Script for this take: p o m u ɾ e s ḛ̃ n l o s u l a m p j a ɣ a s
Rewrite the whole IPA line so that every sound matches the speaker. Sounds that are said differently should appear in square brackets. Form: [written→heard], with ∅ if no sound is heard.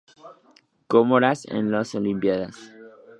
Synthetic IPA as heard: [p→k] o m [u→o] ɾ [e→a] s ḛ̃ n l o s [u→o] l [a→i] m p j a [ɣ→ð] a s